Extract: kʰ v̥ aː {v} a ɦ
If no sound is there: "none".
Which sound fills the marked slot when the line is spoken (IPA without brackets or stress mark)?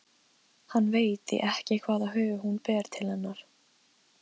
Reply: ð